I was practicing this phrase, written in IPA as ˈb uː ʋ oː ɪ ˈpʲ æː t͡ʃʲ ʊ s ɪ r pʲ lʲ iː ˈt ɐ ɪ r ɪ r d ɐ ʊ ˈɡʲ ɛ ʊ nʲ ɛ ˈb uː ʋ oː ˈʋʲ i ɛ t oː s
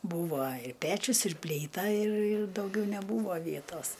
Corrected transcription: ˈb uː ʋ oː ɪ ˈpʲ æː t͡ʃʲ ʊ s ɪ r pʲ lʲ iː ˈt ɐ ɪ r ɪ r d ɐ ʊ ˈɡʲ ɛ ʊ nʲ ɛ ˈb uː ʋ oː ˈʋʲ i ɛ t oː s

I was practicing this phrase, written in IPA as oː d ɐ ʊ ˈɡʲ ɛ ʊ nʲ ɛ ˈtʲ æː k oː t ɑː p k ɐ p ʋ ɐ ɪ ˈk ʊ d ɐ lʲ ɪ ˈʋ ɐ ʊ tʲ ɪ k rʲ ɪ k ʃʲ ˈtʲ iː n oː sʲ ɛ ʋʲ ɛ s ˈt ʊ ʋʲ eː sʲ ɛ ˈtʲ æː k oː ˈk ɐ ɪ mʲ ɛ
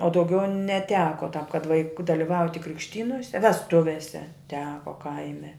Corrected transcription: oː d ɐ ʊ ˈɡʲ ɛ ʊ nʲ ɛ ˈtʲ æː k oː t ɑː p k ɐ t ʋ ɐ ɪ ˈk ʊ d ɐ lʲ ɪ ˈʋ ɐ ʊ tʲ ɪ k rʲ ɪ k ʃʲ ˈtʲ iː n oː sʲ ɛ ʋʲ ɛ s ˈt ʊ ʋʲ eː sʲ ɛ ˈtʲ æː k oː ˈk ɐ ɪ mʲ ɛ

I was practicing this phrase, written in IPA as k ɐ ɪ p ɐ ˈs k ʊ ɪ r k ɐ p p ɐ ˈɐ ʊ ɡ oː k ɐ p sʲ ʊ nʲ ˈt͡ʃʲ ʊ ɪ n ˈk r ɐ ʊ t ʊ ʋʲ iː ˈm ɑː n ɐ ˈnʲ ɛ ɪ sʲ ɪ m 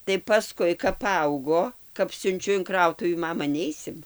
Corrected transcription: t ɐ ɪ p ɐ ˈs k ʊ ɪ k ɐ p p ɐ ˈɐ ʊ ɡ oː k ɐ p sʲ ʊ nʲ ˈt͡ʃʲ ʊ ɪ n ˈk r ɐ ʊ t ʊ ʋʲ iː ˈm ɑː m ɐ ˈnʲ ɛ ɪ sʲ ɪ m

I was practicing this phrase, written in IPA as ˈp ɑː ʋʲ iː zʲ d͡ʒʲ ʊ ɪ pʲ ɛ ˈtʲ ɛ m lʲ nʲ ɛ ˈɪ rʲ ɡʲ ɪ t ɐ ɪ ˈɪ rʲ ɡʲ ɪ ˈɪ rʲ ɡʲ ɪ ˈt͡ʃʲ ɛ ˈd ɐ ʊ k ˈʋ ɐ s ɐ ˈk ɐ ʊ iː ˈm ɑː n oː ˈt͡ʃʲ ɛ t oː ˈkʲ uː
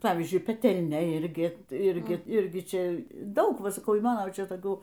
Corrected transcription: ˈp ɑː ʋʲ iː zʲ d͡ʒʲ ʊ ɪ pʲ ɛ ˈtʲ ɛ lʲ nʲ ɛ ˈɪ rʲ ɡʲ ɪ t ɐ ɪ ˈɪ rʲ ɡʲ ɪ ˈɪ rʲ ɡʲ ɪ ˈt͡ʃʲ ɛ ˈd ɐ ʊ k ˈʋ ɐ s ɐ ˈk ɐ ʊ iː ˈm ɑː n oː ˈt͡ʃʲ ɛ t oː ˈkʲ uː

